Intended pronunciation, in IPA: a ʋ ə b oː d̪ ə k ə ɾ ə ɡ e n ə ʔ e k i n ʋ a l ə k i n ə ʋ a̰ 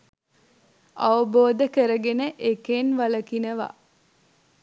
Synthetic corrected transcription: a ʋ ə b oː d̪ ə k ə ɾ ə ɡ e n ə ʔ e k e n ʋ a l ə k i n ə ʋ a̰